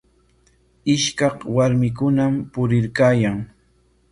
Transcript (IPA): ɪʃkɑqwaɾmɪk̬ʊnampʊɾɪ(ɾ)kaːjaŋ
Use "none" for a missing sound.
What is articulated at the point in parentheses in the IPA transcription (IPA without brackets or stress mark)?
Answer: ɾ